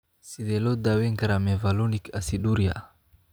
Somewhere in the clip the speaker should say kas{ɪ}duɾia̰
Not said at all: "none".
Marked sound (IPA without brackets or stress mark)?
i